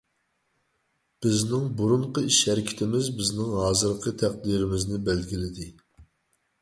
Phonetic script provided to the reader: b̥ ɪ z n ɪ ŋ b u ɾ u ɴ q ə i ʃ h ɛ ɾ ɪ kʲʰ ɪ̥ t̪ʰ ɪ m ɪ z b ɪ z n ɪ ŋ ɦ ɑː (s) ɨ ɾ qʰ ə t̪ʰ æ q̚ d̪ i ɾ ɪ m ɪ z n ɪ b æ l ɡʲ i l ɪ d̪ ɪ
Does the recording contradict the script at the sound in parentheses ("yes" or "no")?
yes